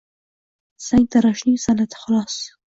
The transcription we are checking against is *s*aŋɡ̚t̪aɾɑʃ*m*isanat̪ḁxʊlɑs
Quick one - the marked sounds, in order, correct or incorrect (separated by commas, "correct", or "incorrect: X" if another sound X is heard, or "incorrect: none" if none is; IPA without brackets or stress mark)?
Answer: correct, incorrect: n